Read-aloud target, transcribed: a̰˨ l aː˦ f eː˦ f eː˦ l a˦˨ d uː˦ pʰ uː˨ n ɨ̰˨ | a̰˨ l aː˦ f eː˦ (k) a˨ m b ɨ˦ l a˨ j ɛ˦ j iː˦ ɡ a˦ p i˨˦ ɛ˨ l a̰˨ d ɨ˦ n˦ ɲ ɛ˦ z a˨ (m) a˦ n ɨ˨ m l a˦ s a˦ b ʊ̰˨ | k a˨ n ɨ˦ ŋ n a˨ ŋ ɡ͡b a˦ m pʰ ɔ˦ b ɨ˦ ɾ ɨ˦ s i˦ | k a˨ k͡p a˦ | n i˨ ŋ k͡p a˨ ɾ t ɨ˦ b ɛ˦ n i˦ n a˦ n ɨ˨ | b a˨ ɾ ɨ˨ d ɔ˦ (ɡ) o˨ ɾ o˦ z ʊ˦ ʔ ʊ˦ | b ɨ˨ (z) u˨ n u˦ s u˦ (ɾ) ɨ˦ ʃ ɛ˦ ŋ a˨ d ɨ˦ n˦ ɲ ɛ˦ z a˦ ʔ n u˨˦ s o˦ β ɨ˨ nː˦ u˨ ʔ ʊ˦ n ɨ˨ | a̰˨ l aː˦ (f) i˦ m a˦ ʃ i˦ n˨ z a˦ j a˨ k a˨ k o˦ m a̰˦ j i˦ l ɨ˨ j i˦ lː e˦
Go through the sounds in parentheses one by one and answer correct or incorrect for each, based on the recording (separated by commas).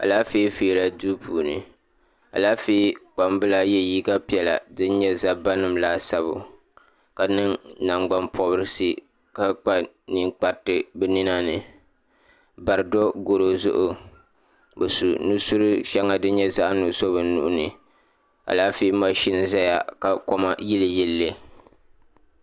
incorrect, incorrect, correct, incorrect, correct, correct